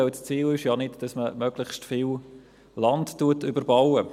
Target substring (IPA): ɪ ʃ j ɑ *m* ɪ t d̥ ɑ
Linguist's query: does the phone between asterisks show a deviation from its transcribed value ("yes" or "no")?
yes